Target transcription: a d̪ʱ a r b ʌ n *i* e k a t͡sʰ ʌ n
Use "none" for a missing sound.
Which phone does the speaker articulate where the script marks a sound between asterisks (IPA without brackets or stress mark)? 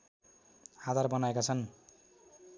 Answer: a